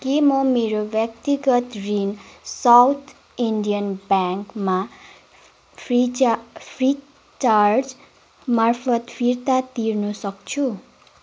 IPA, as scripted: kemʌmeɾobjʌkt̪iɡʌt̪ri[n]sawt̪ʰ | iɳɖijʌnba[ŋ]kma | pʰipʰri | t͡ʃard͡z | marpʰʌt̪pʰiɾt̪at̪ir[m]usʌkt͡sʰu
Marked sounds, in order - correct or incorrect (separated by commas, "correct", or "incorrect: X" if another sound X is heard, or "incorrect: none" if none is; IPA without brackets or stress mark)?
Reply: correct, correct, incorrect: n